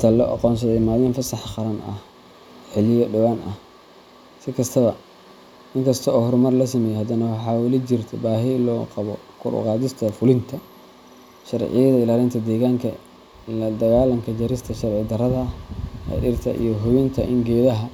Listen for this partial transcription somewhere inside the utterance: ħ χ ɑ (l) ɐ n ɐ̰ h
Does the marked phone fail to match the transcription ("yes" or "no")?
yes